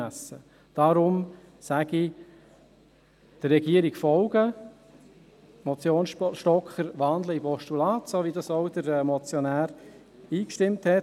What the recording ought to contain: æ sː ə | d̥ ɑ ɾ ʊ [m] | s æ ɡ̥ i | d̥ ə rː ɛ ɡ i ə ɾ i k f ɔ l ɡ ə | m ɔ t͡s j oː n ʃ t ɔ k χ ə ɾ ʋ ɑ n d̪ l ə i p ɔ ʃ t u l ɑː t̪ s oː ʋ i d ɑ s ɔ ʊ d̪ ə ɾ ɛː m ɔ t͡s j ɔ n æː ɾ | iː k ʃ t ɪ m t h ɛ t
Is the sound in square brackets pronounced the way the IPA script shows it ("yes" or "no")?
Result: yes